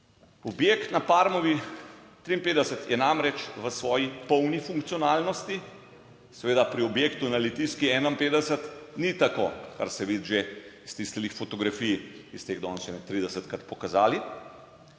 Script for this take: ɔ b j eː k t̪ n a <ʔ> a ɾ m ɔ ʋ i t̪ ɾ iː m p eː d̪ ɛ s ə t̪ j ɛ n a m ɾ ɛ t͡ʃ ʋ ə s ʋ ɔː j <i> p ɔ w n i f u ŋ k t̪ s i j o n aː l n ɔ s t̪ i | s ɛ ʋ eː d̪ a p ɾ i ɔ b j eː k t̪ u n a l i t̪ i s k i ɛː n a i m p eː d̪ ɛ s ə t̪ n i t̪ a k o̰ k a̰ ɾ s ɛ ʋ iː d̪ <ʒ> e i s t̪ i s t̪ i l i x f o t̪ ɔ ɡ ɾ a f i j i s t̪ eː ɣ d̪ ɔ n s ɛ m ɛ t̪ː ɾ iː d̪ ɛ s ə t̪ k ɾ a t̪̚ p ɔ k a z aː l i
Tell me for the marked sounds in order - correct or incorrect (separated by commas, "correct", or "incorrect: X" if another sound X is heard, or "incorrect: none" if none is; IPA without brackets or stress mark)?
incorrect: p, correct, correct